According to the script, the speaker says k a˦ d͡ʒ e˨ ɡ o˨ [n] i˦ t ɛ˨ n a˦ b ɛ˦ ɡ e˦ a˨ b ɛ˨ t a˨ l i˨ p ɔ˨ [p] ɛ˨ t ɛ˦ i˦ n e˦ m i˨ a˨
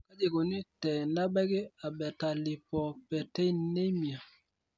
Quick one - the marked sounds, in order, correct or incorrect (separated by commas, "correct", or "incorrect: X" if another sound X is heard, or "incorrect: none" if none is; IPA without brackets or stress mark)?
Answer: correct, correct